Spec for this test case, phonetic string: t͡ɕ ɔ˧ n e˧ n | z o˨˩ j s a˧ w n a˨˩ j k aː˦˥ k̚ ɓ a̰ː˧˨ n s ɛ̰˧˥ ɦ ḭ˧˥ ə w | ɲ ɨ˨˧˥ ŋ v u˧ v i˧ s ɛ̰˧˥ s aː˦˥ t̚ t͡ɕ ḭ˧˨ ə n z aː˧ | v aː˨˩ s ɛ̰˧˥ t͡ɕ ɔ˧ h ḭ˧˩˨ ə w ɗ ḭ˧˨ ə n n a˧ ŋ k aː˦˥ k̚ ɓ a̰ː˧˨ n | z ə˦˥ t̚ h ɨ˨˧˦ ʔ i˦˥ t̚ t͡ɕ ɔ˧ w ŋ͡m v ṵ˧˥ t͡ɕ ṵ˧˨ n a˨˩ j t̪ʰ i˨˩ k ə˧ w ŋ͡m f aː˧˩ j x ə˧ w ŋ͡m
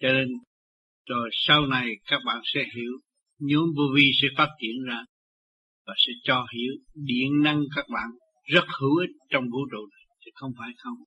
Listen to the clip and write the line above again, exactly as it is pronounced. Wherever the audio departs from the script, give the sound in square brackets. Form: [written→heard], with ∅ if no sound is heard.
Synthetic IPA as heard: t͡ɕ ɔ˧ n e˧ n | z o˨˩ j s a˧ w n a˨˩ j k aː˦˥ k̚ ɓ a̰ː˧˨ n s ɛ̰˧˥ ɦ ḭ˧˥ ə w | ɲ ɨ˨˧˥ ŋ v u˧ v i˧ s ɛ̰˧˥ [s→f] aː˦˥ t̚ t͡ɕ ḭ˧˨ ə n z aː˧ | v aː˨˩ s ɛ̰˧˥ t͡ɕ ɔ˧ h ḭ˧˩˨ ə w ɗ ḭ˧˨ ə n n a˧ ŋ k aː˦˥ k̚ ɓ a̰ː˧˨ n | z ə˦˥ t̚ h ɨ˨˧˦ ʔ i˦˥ t̚ t͡ɕ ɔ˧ w ŋ͡m v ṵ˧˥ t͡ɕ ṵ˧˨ n a˨˩ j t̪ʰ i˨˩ [k→x] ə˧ w ŋ͡m f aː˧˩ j x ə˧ w ŋ͡m